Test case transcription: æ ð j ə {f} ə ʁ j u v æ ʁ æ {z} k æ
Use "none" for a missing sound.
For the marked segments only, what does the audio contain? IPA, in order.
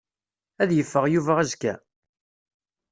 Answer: fː, z

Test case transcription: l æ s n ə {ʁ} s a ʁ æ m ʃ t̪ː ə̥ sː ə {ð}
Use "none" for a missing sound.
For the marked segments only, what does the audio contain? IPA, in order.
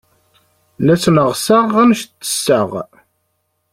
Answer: ʁ, ʁ

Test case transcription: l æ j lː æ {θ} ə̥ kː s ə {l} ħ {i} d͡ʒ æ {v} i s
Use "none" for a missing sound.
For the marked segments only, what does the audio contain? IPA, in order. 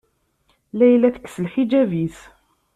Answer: θ, l, i, v

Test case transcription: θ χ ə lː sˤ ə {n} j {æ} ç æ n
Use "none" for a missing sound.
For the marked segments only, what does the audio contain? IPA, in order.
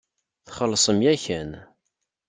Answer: m, æ

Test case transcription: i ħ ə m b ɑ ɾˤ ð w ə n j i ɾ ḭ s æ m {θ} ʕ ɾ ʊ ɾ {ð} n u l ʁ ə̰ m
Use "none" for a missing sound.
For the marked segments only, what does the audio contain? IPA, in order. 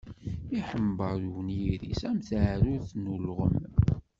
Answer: θ, θ

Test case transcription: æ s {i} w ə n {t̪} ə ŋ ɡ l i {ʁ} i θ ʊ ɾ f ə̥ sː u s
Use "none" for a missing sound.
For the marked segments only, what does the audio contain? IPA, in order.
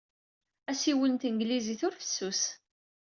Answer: i, t̪, z

